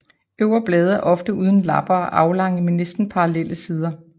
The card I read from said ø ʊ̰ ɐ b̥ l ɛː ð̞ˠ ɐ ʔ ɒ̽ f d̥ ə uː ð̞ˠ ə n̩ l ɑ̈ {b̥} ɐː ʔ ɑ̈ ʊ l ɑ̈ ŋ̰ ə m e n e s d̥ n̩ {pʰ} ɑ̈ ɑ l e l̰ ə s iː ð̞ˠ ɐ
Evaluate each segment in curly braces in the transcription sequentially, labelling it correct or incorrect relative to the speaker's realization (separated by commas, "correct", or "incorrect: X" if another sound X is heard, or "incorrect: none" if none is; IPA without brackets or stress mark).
correct, correct